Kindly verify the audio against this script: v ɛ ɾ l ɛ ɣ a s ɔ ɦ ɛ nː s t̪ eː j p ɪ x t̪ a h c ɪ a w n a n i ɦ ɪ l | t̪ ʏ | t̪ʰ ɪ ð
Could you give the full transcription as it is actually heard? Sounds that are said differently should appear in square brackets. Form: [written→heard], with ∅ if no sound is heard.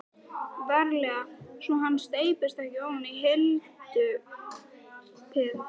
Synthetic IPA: v ɛ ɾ l ɛ ɣ a s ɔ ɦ [ɛ→a] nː s t̪ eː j p ɪ [x→s] t̪ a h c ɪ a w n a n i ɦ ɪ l | t̪ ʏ | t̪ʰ ɪ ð